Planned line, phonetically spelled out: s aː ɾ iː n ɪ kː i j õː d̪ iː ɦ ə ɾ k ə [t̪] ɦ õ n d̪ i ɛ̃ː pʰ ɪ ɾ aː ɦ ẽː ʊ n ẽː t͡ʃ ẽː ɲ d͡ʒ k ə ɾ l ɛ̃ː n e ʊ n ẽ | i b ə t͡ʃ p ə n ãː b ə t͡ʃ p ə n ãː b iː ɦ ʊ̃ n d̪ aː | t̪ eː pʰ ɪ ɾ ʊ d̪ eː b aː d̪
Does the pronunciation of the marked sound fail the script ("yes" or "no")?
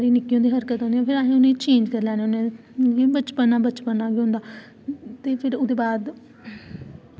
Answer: no